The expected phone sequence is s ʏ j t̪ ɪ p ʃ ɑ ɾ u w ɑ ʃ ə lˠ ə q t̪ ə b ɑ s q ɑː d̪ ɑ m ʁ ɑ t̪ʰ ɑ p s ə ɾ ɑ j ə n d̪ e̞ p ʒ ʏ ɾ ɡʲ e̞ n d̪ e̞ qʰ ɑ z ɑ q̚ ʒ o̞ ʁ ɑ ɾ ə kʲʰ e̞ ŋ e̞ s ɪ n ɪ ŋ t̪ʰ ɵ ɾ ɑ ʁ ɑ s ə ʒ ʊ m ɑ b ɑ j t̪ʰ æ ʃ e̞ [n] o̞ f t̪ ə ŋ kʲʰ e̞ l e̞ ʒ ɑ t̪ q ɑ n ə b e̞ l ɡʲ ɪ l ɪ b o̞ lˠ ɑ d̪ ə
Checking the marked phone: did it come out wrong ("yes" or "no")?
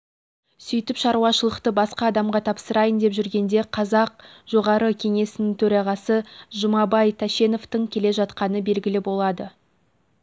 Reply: no